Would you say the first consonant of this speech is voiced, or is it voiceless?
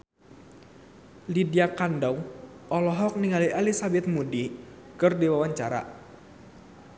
voiced